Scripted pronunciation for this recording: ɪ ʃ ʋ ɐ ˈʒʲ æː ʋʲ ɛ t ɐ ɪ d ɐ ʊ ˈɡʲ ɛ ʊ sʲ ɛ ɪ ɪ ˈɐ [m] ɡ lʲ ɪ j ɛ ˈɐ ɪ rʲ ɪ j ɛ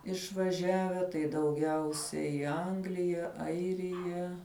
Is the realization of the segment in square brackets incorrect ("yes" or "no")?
yes